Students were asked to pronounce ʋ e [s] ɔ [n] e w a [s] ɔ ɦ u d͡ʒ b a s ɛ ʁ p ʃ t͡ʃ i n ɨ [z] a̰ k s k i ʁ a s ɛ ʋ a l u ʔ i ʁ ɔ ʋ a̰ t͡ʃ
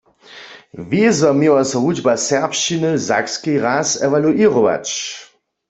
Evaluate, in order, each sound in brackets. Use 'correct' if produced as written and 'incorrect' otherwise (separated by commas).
incorrect, incorrect, correct, correct